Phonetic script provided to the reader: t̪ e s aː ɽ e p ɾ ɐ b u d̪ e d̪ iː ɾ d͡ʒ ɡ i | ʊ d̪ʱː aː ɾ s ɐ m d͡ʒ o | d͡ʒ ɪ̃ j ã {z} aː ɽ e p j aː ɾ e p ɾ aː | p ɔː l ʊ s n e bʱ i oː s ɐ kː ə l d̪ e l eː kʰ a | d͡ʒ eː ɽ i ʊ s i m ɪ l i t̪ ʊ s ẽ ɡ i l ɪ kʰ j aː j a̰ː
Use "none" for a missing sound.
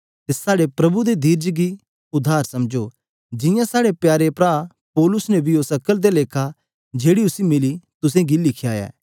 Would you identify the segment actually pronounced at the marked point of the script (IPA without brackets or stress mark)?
s